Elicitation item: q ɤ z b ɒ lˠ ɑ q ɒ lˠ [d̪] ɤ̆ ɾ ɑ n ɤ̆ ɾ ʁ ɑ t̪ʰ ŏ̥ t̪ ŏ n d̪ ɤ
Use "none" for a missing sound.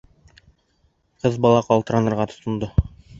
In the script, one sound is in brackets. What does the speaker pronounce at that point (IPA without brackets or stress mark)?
t̪